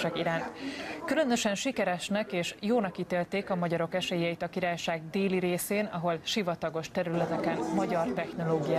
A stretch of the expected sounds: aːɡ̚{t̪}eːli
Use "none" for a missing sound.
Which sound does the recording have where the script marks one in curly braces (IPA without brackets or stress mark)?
d̪